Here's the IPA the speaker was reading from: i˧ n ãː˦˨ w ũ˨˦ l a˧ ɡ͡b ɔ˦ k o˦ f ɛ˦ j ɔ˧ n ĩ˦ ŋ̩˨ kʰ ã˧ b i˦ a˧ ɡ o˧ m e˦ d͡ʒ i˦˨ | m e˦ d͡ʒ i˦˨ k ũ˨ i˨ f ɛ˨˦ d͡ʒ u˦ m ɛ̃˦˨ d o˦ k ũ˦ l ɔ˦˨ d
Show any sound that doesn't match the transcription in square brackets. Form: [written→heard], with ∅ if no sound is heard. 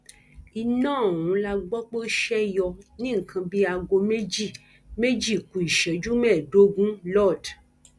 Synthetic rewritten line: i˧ n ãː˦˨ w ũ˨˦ l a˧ ɡ͡b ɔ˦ [k→k͡p] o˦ [f→ʃ] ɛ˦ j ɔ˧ n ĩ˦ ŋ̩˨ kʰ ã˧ b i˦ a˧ ɡ o˧ m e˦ d͡ʒ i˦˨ | m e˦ d͡ʒ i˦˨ k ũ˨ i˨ [f→ʃ] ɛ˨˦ d͡ʒ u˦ m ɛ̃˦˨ d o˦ [k→ɡ] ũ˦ l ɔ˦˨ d